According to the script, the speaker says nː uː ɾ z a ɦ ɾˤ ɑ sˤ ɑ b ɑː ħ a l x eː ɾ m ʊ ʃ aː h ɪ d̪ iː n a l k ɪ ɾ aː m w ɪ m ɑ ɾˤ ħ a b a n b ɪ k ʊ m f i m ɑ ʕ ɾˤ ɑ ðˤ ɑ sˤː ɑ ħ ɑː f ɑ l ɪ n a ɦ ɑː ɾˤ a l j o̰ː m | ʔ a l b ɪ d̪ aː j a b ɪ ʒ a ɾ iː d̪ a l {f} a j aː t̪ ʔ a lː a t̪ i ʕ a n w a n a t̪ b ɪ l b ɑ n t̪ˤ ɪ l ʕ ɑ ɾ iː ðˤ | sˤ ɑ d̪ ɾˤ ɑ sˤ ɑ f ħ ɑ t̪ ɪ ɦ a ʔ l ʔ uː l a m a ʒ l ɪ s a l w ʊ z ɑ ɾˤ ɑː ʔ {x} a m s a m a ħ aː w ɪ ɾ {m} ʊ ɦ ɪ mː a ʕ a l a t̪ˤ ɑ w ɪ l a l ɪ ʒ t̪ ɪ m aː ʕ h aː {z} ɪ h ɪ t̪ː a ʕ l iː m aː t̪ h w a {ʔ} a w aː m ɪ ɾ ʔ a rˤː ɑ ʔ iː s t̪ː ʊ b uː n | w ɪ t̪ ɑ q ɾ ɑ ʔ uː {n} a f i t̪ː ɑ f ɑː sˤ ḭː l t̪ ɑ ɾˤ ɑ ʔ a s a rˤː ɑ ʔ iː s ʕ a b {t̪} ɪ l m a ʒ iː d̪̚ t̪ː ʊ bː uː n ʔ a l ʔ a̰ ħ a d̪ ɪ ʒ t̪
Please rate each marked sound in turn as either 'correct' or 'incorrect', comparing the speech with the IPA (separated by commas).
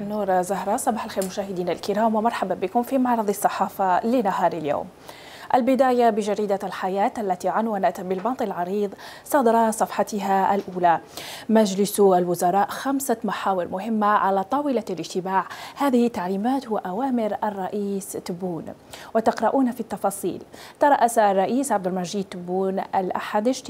incorrect, correct, correct, incorrect, correct, correct, incorrect